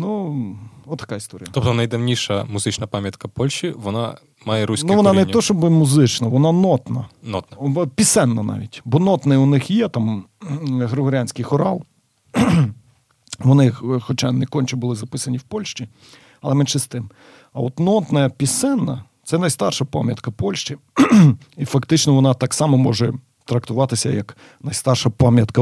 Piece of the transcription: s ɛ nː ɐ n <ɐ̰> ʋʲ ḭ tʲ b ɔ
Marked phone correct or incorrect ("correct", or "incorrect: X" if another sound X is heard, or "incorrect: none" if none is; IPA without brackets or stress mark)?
incorrect: ɑ̰